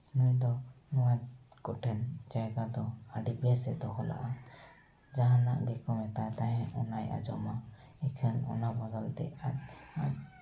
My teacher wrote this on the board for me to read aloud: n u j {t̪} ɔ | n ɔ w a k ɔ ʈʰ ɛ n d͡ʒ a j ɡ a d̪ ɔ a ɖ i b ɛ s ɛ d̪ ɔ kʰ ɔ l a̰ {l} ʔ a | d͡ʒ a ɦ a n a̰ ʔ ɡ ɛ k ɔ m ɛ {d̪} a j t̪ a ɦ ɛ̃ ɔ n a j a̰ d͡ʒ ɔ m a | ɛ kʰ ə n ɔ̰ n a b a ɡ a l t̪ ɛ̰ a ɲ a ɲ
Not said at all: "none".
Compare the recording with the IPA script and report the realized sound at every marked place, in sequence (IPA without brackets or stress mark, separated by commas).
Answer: d̪, none, t̪